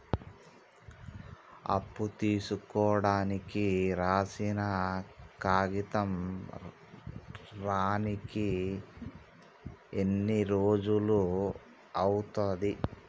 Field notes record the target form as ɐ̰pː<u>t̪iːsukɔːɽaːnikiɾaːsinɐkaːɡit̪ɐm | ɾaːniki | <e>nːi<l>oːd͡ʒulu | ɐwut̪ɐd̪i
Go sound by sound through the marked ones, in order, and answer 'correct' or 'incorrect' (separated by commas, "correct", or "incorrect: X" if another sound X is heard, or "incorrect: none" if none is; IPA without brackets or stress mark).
correct, correct, incorrect: ɾ